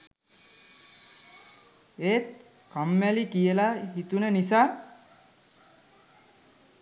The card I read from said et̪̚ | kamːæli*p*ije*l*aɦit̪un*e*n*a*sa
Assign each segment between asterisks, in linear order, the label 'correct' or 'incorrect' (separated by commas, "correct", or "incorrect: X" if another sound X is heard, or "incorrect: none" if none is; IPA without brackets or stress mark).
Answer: incorrect: k, correct, correct, incorrect: i